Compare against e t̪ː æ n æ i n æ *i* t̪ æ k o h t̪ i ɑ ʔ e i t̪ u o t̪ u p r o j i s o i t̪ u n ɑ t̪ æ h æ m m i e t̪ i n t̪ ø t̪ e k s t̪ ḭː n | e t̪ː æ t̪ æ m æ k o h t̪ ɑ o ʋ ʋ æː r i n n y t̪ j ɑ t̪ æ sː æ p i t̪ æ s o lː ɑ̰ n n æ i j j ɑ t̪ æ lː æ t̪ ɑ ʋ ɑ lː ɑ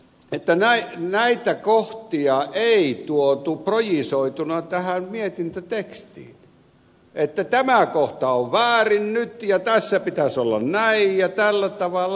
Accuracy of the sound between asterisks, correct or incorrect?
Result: correct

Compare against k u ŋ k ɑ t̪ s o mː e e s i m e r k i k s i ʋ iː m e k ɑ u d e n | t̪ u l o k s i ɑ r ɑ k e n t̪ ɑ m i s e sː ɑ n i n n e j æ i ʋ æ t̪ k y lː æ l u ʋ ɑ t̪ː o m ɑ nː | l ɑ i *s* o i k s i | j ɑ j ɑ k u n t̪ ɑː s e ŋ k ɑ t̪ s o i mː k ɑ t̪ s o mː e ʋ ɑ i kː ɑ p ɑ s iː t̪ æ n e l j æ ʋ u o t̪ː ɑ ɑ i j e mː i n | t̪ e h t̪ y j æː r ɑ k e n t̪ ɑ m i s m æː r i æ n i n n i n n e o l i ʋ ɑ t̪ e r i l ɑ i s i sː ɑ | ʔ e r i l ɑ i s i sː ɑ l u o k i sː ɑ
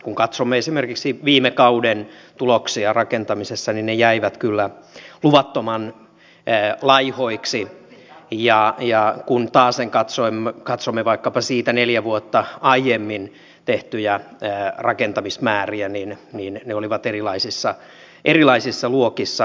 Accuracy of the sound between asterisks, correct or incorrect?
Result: incorrect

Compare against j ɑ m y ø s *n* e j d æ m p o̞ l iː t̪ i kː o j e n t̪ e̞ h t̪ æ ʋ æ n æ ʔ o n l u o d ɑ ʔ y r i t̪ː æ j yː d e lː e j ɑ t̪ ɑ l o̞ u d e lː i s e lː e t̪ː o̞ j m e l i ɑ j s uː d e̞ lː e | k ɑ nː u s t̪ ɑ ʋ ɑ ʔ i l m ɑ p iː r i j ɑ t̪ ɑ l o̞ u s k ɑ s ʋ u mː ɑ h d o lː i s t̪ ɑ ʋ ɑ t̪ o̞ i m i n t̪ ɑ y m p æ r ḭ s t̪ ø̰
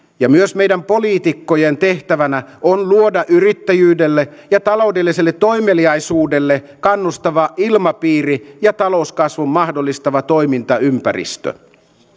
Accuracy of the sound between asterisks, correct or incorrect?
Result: incorrect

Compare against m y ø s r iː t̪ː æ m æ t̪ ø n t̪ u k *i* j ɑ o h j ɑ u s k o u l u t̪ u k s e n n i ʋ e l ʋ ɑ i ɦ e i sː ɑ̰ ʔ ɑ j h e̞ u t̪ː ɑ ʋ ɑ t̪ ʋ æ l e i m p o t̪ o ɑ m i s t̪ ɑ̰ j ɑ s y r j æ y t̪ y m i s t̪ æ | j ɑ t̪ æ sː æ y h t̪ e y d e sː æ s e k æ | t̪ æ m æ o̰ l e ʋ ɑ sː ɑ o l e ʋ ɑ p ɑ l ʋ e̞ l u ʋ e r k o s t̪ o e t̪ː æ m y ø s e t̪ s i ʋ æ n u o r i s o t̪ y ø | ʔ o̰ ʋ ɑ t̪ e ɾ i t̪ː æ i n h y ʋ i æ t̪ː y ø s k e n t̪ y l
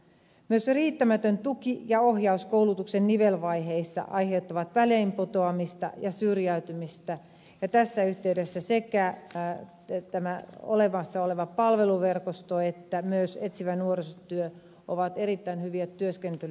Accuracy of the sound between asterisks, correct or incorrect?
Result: correct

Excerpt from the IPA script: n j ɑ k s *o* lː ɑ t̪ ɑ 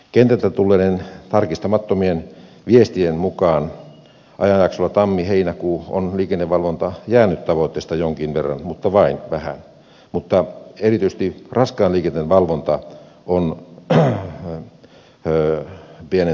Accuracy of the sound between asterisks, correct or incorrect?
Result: correct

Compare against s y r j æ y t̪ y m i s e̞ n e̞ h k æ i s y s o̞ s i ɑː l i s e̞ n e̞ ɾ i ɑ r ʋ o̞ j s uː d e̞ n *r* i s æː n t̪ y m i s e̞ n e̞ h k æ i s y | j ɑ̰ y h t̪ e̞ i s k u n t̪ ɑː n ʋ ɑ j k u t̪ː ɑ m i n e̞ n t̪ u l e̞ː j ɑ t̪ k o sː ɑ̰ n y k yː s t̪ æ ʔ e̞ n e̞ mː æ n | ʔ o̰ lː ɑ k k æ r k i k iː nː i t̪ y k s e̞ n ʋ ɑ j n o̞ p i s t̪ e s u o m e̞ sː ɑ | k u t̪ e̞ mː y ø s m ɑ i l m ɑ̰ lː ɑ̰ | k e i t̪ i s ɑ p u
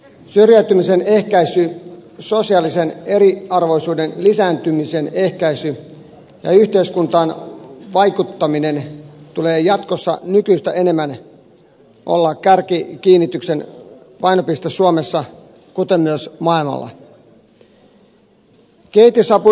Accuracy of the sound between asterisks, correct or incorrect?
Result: incorrect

